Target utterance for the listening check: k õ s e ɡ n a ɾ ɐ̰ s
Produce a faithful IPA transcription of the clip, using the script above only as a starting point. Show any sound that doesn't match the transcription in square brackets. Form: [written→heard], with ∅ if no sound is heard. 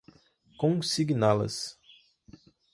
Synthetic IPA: k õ s [e→i] ɡ n a [ɾ→l] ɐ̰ s